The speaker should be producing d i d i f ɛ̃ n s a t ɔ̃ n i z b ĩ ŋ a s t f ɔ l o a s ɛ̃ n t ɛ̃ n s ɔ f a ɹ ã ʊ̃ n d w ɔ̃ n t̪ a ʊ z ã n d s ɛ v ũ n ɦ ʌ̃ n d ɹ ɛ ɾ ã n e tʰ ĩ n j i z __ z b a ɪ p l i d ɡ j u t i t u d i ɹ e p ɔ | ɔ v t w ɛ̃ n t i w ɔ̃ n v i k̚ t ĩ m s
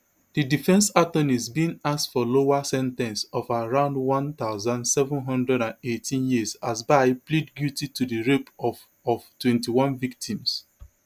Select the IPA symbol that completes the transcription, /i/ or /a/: a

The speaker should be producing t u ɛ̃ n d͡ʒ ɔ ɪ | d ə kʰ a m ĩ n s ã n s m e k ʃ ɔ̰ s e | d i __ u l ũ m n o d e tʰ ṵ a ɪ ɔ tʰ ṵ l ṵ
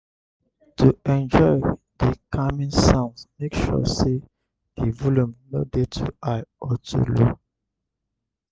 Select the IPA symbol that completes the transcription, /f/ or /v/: v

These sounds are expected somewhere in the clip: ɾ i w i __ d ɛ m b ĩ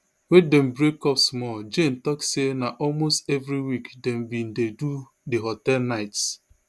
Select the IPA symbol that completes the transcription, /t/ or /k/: k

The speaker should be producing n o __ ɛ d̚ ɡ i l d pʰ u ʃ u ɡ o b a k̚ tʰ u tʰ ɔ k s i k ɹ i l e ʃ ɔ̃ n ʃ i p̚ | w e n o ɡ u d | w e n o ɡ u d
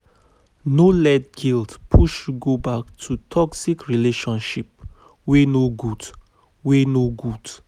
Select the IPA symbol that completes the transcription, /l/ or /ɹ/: l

